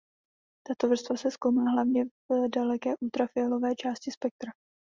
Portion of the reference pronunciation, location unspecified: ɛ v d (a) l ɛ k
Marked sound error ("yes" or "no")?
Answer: no